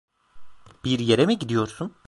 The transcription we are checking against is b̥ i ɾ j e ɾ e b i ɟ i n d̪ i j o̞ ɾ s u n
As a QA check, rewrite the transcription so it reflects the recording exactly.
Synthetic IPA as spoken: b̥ i ɾ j e ɾ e m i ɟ i d̪ i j o̞ ɾ s u n